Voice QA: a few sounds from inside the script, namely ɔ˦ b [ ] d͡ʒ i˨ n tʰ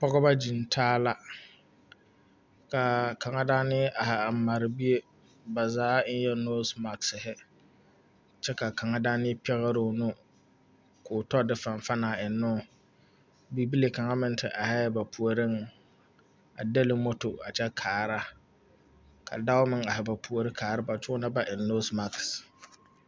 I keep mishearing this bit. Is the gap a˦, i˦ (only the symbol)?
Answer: a˦